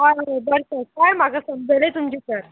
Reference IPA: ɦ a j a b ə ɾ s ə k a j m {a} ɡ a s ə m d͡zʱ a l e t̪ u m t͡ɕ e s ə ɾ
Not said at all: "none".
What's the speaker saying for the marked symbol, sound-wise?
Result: a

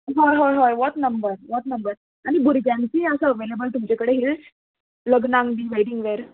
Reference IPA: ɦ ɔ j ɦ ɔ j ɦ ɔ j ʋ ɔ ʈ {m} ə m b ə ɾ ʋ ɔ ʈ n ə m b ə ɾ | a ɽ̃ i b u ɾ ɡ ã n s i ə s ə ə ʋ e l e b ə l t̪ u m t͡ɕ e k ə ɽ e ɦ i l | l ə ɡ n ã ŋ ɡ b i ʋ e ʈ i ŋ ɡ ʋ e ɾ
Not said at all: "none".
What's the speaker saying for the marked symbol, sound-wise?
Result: n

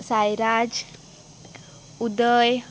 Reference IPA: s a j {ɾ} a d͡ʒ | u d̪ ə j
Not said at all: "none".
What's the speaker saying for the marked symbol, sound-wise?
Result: ɾ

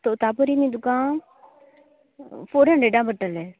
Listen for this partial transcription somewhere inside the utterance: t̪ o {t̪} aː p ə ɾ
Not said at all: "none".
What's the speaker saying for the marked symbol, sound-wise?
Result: t̪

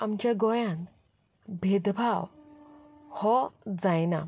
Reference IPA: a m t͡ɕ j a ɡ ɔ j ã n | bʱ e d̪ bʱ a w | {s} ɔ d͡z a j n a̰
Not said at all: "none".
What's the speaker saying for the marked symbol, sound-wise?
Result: h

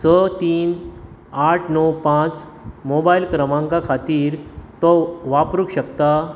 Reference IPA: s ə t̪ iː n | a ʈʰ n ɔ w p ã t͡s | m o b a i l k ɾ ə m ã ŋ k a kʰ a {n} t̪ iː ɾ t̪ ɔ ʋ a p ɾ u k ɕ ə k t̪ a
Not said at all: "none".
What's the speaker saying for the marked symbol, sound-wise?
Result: none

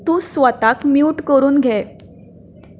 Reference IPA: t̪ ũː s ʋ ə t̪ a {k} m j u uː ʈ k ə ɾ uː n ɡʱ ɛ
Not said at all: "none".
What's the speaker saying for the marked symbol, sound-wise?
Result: k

